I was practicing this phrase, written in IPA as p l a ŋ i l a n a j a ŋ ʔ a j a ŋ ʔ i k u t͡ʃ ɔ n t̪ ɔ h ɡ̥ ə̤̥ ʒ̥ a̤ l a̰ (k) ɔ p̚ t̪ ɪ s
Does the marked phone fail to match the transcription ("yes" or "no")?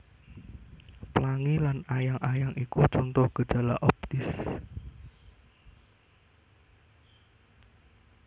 yes